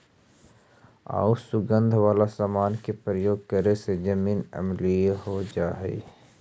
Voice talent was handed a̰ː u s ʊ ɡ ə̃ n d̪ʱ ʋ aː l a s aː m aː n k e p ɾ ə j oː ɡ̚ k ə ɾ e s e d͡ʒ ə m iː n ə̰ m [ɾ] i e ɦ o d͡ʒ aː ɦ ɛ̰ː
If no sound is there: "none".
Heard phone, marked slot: l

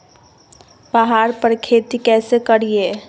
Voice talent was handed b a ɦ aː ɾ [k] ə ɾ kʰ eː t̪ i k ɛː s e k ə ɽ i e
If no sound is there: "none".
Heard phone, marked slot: p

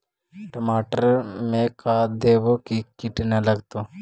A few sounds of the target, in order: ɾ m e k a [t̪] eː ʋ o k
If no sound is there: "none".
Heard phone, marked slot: d̪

